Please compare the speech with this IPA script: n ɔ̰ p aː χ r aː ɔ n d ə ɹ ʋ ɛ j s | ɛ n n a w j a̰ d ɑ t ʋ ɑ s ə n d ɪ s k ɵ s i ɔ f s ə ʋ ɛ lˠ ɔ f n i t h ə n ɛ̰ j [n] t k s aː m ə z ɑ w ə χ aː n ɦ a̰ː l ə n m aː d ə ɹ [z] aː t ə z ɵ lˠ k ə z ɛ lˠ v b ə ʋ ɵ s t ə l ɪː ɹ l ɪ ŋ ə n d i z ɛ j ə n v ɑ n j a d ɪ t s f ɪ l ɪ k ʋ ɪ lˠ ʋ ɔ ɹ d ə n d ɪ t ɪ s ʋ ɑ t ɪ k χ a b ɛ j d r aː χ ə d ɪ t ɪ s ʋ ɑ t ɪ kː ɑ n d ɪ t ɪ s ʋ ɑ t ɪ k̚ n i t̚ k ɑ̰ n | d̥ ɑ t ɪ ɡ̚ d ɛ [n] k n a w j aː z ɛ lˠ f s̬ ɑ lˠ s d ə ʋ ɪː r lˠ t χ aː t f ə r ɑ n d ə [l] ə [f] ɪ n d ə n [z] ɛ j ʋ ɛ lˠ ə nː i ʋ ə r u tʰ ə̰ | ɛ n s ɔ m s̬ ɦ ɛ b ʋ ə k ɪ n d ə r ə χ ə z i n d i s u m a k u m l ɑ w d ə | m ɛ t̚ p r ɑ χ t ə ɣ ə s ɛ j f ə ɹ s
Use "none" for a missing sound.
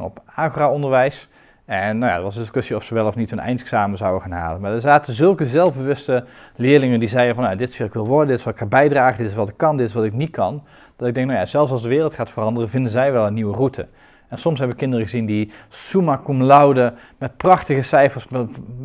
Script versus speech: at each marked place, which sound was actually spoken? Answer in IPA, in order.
n, z, ŋ, r, v, z

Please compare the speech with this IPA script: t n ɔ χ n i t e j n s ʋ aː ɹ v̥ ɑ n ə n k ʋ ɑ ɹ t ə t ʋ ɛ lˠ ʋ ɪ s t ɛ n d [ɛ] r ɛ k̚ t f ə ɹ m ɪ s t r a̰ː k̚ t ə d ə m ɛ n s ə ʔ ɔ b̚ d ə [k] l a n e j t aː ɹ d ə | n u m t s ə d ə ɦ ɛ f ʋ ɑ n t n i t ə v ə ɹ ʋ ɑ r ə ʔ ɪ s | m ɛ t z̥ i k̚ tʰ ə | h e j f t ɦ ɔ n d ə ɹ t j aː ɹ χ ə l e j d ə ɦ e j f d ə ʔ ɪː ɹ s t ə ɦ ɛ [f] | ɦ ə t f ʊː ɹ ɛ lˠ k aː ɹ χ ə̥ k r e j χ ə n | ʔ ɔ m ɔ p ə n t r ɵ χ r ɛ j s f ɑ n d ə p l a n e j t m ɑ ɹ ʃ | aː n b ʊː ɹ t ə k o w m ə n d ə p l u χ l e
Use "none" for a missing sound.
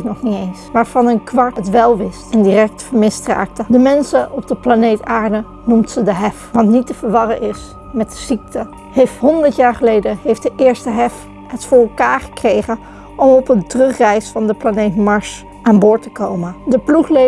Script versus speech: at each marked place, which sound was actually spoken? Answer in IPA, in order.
i, p, f

